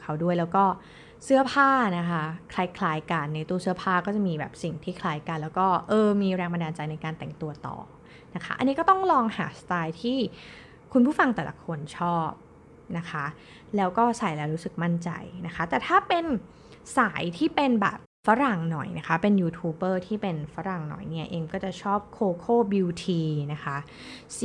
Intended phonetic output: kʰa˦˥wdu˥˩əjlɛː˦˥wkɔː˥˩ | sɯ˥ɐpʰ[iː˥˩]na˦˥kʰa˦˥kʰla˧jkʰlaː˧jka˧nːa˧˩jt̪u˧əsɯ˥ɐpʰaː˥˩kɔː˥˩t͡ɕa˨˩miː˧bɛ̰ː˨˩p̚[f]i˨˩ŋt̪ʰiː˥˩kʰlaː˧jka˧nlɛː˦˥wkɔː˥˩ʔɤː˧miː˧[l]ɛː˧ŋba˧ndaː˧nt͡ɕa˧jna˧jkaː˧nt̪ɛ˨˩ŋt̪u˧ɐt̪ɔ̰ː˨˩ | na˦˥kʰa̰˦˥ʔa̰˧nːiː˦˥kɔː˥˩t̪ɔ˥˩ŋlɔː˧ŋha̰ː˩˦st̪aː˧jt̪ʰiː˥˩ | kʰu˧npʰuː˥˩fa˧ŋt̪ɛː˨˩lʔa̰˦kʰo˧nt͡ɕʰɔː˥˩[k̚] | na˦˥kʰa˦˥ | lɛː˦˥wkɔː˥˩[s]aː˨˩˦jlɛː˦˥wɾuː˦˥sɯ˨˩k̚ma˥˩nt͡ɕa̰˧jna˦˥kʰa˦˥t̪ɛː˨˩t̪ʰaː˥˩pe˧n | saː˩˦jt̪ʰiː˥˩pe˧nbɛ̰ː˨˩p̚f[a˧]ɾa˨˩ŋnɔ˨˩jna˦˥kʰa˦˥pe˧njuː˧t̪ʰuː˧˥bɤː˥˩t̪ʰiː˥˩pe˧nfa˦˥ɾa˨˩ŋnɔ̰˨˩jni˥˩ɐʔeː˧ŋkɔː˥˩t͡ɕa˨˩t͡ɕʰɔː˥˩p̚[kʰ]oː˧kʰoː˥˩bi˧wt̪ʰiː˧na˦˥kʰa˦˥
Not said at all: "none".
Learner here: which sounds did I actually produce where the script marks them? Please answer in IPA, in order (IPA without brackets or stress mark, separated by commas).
aː˥˩, s, ɾ, p̚, s, a˦˥, kʰ